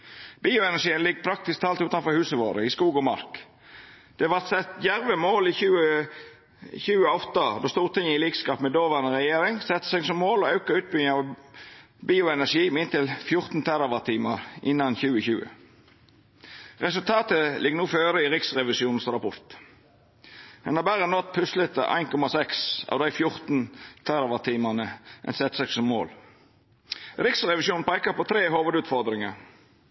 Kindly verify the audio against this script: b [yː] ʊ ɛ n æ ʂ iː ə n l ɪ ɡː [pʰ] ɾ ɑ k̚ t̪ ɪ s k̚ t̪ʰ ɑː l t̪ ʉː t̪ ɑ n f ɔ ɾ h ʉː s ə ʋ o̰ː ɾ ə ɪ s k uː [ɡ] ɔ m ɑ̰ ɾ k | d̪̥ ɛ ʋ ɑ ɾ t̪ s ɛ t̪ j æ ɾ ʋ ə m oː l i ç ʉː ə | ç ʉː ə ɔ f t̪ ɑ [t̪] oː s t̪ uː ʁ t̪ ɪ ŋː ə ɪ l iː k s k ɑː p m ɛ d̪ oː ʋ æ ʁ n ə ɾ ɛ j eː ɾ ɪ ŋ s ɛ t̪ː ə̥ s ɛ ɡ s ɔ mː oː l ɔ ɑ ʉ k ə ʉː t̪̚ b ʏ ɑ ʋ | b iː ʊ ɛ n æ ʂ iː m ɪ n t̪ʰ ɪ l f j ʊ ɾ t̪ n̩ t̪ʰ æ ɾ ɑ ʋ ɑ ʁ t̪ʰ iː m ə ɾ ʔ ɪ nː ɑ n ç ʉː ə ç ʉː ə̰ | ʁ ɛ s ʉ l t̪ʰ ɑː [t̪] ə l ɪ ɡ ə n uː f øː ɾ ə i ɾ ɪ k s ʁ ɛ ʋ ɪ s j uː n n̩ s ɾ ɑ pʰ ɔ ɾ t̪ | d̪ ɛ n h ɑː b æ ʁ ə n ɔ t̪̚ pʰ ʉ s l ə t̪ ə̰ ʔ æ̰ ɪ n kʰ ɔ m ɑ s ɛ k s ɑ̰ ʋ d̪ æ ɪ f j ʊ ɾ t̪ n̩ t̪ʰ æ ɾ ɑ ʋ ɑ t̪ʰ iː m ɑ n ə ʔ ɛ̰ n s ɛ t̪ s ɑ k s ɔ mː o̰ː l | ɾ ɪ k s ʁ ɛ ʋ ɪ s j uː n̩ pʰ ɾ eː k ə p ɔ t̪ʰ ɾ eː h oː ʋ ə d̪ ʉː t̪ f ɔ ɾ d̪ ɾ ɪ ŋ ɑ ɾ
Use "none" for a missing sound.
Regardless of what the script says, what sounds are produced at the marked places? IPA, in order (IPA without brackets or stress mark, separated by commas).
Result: iː, pʰ, ɡ, d̪, t̪